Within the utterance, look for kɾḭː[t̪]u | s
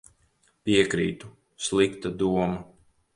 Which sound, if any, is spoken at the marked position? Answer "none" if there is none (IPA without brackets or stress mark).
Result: t̪